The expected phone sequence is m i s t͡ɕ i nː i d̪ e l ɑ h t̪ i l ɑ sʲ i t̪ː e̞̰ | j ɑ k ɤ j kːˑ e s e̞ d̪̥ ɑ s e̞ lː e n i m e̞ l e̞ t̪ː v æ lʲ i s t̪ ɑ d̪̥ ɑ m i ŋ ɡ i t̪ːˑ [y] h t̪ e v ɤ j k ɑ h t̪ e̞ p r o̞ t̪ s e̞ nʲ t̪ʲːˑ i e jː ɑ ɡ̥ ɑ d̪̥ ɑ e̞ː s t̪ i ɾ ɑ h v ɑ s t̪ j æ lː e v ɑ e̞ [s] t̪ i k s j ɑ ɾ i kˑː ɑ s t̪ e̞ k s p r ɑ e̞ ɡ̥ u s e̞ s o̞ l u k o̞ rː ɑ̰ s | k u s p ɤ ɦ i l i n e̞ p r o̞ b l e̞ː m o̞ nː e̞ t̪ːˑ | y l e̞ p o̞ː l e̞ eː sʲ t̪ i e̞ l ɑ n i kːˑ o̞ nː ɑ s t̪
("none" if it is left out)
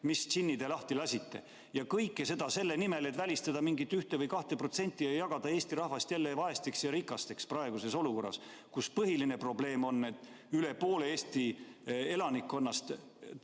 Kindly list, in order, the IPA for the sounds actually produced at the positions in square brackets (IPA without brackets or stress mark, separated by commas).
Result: y, s